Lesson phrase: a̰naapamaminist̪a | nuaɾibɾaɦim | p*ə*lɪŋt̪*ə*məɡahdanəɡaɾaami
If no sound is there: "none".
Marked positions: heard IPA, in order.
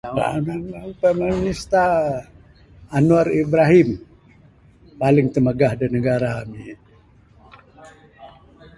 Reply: a, ə

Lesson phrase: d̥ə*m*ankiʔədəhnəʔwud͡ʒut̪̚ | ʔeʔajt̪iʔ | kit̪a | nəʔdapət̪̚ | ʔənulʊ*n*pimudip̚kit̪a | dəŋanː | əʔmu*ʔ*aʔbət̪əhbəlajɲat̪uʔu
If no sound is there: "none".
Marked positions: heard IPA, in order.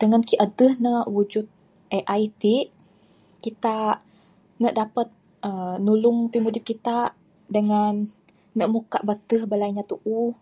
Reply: ŋ, ŋ, k

